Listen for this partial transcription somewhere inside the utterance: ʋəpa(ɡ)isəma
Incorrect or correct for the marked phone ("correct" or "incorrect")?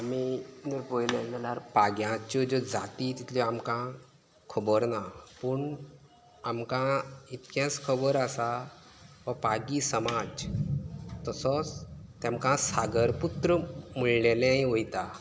correct